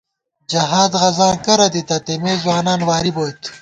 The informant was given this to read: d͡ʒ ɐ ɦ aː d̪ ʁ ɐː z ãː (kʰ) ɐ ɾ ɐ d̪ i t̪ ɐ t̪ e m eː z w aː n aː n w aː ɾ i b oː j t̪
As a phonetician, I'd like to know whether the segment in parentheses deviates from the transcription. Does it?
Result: yes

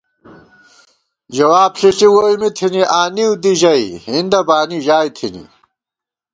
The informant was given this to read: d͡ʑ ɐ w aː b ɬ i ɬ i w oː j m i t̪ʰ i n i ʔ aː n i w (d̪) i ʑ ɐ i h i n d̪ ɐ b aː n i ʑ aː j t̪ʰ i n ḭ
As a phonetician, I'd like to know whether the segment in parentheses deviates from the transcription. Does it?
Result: no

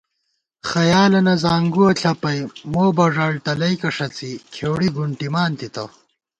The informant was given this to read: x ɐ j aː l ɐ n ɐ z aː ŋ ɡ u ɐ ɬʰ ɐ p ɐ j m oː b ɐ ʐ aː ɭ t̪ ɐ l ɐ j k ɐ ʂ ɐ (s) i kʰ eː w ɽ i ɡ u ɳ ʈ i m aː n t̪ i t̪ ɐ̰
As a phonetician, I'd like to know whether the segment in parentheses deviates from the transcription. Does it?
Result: yes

